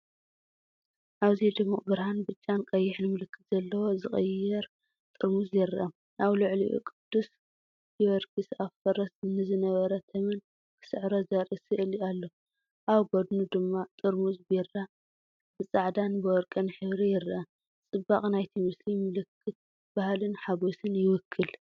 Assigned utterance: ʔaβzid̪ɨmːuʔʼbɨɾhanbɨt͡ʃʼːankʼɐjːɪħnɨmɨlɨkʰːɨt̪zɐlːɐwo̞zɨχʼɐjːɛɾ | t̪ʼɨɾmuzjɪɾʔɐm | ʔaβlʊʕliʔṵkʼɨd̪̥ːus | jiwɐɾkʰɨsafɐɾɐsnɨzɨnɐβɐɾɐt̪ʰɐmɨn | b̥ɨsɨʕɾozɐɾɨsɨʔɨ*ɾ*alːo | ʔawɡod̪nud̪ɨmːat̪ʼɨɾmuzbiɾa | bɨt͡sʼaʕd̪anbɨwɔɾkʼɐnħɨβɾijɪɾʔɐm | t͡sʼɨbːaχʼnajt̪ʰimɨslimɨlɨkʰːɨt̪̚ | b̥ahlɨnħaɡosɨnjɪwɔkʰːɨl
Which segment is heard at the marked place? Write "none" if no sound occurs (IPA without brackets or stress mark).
l